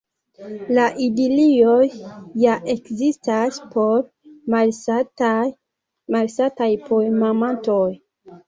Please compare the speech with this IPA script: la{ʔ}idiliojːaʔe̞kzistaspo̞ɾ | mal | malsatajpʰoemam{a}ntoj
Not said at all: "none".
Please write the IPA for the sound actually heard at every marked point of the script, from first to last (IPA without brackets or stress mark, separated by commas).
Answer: ʔ, a